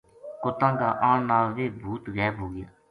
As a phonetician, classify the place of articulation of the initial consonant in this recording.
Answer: velar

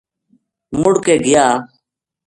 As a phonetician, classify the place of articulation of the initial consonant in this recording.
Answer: labial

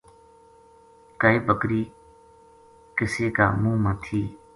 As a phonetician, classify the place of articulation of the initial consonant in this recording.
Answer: velar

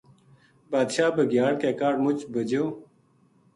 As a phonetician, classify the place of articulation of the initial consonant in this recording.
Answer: labial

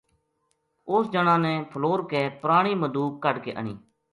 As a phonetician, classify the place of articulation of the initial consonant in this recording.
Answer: alveolar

